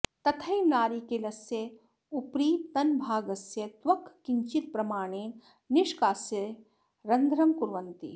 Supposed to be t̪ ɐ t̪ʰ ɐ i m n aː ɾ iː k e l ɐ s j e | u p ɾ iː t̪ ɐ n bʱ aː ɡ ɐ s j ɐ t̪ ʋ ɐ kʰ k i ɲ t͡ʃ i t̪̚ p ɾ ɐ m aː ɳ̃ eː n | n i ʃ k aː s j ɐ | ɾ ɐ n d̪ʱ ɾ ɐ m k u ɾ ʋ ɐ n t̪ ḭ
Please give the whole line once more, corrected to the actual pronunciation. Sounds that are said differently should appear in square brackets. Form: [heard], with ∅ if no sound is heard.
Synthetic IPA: t̪ ɐ t̪ʰ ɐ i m n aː ɾ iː k e l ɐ s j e | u p ɾ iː t̪ ɐ n bʱ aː ɡ ɐ s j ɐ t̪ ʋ ɐ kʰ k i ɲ t͡ʃ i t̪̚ p ɾ ɐ m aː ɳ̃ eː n | n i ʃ k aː s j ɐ | ɾ ɐ n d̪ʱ ɾ ɐ m k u ɾ ʋ ɐ n t̪ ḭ